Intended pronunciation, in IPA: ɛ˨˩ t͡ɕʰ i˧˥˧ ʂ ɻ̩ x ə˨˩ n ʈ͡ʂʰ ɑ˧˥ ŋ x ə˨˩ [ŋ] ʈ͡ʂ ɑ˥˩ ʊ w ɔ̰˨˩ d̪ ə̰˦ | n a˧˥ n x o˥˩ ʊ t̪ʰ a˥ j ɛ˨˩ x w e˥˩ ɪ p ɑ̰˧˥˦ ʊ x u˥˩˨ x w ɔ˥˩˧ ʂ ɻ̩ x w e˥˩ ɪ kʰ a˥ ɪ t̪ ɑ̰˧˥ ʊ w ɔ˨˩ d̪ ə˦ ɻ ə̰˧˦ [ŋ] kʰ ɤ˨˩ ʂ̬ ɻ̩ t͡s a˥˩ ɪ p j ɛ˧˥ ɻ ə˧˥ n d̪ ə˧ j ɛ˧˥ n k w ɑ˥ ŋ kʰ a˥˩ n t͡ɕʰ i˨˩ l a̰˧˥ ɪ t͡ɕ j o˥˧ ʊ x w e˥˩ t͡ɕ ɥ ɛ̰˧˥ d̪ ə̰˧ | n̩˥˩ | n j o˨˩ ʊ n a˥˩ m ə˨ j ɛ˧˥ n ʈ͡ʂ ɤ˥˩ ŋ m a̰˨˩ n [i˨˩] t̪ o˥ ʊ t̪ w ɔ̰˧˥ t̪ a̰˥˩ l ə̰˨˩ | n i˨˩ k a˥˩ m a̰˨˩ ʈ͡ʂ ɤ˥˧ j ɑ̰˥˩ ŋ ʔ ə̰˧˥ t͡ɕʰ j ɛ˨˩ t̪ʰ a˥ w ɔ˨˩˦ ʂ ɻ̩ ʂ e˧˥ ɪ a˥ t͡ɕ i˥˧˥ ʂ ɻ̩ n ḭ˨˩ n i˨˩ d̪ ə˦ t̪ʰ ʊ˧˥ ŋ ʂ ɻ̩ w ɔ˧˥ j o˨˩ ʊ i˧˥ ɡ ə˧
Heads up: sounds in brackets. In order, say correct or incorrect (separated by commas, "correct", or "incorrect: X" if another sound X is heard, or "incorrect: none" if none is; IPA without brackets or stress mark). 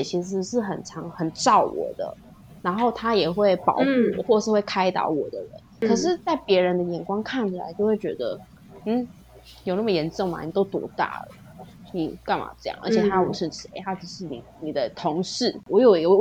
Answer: incorrect: n, incorrect: n, correct